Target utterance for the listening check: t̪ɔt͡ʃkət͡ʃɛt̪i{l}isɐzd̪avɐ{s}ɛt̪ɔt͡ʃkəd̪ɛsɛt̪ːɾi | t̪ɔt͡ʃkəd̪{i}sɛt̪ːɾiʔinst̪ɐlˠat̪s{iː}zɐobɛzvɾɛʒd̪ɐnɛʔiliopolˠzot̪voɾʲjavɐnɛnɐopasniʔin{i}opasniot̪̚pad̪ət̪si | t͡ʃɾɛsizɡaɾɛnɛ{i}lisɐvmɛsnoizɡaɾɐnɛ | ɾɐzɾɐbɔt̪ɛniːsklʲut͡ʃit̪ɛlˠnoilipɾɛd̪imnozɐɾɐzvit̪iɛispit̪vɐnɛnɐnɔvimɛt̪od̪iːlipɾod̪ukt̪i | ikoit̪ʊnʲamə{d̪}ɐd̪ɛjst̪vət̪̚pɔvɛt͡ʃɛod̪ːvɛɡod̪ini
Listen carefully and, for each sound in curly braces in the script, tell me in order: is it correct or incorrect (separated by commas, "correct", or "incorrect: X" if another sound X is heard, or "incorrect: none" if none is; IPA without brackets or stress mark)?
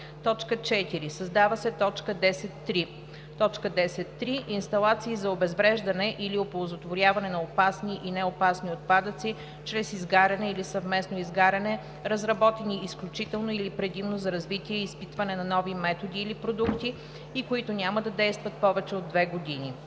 incorrect: ɾ, correct, incorrect: ɛ, correct, incorrect: ɛ, correct, correct